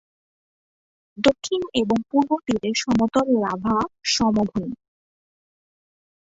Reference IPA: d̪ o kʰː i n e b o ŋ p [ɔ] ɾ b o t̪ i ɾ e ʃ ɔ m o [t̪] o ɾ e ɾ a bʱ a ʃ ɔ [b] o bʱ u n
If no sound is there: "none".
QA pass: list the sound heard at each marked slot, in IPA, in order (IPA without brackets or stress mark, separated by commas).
u, t̪, m